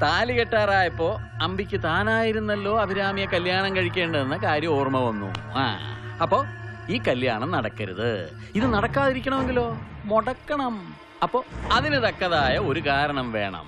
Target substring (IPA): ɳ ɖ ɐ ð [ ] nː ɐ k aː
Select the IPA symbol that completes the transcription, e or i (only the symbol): e